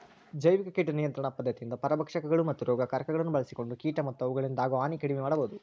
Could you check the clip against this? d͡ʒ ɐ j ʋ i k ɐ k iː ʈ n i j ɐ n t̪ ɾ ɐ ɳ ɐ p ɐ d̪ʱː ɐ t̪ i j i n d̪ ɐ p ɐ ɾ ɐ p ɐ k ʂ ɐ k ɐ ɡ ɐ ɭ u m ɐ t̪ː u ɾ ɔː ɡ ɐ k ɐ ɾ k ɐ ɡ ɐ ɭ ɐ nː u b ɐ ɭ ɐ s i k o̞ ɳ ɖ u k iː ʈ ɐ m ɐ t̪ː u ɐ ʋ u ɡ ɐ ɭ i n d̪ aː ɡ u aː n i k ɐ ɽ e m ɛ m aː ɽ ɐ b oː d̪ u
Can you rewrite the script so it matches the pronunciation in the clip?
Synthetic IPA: d͡ʒ ɐ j ʋ i k ɐ k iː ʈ n i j ɐ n t̪ ɾ ɐ ɳ ɐ p ɐ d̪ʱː ɐ t̪ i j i n d̪ ɐ p ɐ ɾ ɐ b ɐ k ʂ ɐ k ɐ ɡ ɐ ɭ u m ɐ t̪ː u ɾ ɔː ɡ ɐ k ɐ ɾ k ɐ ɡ ɐ ɭ ɐ nː u b ɐ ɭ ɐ s i k o̞ ɳ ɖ u k iː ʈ ɐ m ɐ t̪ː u ɐ ʋ u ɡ ɐ ɭ i n d̪ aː ɡ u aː n i k ɐ ɽ i m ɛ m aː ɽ ɐ b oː d̪ u

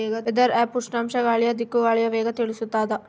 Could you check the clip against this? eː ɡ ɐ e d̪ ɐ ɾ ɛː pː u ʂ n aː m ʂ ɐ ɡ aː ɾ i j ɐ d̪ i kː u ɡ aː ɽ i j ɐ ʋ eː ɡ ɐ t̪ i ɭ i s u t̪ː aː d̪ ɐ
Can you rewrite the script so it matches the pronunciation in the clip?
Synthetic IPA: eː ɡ ɐ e d̪ ɐ ɾ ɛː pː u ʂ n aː m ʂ ɐ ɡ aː ɭ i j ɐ d̪ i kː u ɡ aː ɭ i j ɐ ʋ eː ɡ ɐ t̪ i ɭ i s u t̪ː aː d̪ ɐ

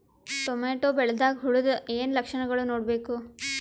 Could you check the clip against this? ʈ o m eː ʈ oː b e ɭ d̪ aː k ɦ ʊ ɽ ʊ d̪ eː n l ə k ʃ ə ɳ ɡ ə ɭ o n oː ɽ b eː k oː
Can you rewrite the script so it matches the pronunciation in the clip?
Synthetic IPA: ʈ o m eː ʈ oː b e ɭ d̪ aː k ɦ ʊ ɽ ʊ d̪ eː n l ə k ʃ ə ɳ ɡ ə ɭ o n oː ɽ b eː k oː

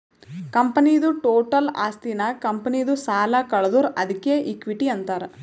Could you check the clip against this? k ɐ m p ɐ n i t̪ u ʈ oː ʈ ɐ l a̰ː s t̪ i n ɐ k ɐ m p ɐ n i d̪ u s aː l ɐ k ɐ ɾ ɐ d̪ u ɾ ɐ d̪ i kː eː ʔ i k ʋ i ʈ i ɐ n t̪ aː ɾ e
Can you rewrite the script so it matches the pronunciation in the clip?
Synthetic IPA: k ɐ m p ɐ n i d̪ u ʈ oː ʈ ɐ l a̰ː s t̪ i n ɐ k ɐ m p ɐ n i d̪ u s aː l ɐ k ɐ ɭ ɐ d̪ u ɾ ɐ d̪ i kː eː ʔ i k ʋ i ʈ i ɐ n t̪ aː ɾ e

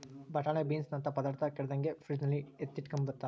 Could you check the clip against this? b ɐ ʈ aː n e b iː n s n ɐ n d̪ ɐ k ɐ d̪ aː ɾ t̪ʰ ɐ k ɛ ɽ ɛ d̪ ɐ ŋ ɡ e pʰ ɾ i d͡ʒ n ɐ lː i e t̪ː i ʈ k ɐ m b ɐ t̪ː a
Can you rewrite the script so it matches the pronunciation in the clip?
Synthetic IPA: b ɐ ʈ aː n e b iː n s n ɐ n t̪ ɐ p ɐ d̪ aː ɾ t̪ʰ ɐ k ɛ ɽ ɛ d̪ ɐ ŋ ɡ e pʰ ɾ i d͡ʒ n ɐ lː i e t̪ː i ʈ k ɐ m b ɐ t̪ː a

